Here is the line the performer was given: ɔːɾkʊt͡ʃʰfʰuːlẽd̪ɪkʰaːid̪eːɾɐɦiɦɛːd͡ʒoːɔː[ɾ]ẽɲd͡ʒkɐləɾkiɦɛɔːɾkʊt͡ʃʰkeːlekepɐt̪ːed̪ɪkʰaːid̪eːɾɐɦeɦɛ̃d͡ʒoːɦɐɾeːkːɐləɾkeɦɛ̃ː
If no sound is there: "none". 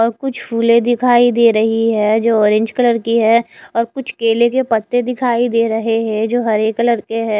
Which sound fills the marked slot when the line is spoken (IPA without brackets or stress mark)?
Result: ɾ